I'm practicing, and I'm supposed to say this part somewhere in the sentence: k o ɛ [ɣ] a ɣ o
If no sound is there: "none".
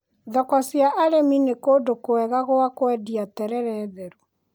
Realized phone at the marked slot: ɣ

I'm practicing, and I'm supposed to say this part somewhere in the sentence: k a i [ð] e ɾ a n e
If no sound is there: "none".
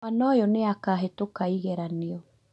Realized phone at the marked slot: ɣ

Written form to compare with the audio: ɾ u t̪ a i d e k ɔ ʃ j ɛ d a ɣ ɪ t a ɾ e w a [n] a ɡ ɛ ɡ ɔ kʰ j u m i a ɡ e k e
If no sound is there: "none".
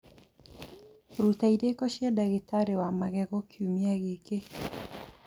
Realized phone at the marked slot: m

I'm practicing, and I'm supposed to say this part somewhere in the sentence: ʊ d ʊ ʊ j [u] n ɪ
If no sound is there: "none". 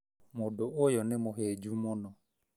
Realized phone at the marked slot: ɔ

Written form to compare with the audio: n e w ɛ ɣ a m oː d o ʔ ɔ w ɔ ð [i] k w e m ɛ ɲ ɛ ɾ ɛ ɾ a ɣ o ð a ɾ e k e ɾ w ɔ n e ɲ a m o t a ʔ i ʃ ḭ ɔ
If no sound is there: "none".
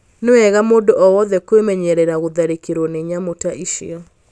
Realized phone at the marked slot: ɛ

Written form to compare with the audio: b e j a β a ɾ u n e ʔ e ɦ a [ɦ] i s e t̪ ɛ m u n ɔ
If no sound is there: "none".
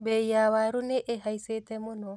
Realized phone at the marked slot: none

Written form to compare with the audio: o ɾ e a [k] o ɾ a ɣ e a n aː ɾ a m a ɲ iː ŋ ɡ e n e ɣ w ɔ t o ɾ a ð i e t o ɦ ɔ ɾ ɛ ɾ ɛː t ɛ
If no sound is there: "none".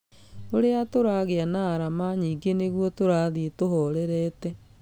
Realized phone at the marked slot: t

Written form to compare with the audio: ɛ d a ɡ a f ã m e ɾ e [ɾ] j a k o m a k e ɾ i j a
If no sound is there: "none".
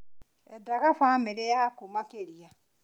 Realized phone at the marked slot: none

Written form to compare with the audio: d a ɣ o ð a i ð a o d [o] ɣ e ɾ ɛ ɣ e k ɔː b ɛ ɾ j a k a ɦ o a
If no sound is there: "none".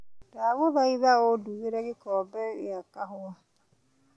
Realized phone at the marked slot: u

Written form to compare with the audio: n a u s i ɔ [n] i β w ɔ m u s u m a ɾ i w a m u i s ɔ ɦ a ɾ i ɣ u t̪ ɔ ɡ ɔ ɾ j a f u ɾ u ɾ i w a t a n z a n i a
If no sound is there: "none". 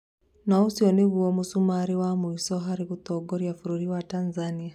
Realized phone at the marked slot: n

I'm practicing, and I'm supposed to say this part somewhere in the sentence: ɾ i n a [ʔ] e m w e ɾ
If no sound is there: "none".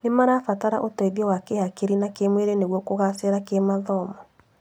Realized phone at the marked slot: k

